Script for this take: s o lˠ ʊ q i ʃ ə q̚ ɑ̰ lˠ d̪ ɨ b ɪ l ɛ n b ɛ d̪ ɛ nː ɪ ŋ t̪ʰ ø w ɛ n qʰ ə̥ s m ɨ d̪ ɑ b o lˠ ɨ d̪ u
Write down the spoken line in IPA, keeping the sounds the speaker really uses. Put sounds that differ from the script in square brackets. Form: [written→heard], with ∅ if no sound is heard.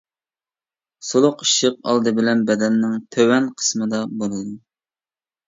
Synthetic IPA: s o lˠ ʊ q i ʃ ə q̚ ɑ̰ lˠ d̪ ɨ b ɪ l ɛ n b ɛ d̪ ɛ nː ɪ ŋ t̪ʰ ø w ɛ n qʰ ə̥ s m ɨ d̪ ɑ b o lˠ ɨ d̪ u